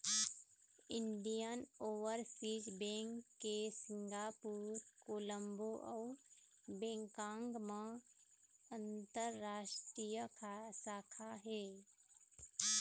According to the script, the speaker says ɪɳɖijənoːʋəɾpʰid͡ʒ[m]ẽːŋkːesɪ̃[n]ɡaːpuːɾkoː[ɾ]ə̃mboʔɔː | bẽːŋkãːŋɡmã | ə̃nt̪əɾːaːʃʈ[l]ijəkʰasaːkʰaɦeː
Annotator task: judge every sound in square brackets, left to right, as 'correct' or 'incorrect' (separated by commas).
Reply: incorrect, incorrect, incorrect, incorrect